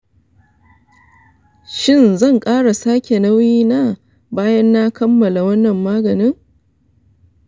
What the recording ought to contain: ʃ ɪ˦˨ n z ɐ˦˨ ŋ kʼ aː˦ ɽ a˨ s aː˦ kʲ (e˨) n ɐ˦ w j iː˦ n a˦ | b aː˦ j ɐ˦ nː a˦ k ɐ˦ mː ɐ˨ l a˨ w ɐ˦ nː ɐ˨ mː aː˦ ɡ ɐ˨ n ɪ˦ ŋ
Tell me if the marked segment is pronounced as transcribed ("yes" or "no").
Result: yes